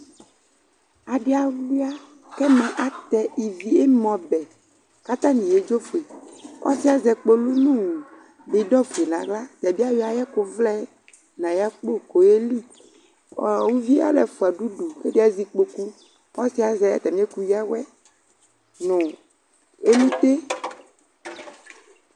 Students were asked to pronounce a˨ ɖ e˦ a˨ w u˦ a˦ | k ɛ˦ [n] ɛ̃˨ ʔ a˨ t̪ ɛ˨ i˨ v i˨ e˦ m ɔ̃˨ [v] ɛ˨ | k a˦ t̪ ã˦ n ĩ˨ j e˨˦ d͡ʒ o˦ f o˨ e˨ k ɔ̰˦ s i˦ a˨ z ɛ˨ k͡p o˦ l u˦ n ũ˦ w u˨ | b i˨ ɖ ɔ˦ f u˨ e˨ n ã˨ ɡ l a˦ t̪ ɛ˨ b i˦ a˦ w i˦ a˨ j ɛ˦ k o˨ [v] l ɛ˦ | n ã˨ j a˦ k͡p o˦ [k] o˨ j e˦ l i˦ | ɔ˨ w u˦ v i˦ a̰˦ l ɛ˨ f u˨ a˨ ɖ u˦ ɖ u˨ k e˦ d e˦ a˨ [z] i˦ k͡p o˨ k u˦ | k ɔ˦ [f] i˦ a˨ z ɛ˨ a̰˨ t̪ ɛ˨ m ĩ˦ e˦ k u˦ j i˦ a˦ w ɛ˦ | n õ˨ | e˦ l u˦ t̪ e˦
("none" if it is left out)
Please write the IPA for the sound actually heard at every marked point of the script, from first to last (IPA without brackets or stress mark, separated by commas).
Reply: m, b, v, k, z, s